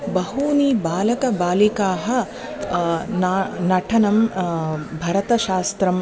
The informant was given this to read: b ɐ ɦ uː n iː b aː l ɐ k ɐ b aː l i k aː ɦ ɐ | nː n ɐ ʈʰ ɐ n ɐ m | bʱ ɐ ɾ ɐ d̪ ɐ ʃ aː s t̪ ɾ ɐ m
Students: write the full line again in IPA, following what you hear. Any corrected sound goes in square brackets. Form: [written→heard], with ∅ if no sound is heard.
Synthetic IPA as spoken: b ɐ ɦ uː n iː b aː l ɐ k ɐ b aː l i k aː ɦ ɐ | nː n ɐ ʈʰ ɐ n ɐ m | bʱ ɐ ɾ ɐ [d̪→t̪] ɐ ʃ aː s t̪ ɾ ɐ m